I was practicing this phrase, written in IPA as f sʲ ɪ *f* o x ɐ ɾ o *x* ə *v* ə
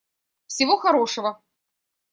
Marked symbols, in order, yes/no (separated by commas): no, no, yes